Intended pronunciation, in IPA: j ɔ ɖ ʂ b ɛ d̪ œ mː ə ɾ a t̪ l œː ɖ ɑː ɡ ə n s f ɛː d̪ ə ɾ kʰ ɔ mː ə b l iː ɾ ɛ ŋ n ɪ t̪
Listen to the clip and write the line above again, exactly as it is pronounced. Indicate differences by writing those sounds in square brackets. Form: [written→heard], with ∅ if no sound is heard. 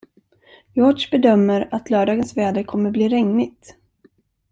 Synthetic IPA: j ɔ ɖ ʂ b ɛ d̪ œ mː ə ɾ a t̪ l œː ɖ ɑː ɡ ə n s [f→v] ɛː d̪ ə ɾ kʰ ɔ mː ə b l iː ɾ ɛ ŋ n ɪ t̪